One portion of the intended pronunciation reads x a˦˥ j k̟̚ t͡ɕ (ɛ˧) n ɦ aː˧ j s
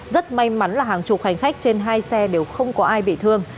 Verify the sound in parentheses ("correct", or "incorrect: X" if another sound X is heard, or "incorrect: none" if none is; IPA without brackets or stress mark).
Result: incorrect: e˧